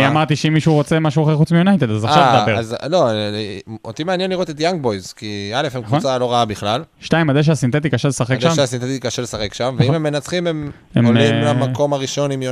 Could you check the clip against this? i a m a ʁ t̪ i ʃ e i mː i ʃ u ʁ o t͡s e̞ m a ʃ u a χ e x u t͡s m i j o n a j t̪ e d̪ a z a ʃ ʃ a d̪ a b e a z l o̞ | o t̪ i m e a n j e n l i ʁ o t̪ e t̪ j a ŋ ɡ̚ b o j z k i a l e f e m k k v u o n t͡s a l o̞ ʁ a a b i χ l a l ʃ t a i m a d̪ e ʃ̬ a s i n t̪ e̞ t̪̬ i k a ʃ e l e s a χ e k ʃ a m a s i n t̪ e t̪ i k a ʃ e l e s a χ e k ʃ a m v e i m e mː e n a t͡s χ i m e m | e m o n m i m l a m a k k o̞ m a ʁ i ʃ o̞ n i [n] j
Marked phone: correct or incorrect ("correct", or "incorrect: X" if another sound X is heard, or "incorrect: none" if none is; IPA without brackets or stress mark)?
incorrect: m